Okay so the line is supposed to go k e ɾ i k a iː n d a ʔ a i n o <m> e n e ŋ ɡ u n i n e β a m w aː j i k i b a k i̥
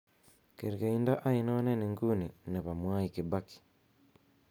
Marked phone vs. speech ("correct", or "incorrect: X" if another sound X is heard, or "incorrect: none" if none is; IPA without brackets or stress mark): incorrect: n